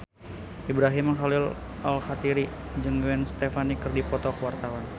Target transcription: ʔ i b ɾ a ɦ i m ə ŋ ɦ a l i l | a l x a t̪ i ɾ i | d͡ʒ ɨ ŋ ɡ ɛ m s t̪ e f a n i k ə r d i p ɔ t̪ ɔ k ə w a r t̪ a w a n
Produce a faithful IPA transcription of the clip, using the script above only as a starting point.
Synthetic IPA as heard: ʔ i b ɾ a ɦ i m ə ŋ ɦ a l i l | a l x a t̪ i ɾ i | d͡ʒ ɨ ŋ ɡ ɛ n s t̪ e f a n i k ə r d i p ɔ t̪ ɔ k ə w a r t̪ a w a n